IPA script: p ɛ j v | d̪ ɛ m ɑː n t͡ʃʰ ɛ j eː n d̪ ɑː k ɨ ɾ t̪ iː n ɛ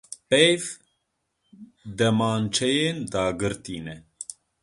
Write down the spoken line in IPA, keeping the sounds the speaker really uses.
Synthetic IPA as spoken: p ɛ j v | d̪ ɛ m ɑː n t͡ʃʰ ɛ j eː n d̪ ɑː ɡ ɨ ɾ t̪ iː n ɛ